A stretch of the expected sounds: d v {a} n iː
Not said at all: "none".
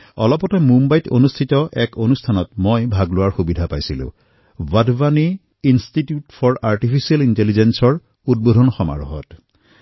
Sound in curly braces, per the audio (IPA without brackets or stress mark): a